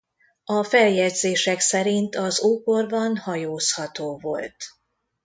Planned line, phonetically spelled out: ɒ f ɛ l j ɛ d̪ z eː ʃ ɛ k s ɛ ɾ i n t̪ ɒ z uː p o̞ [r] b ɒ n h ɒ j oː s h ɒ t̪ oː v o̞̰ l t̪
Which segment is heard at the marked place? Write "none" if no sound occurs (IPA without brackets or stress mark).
r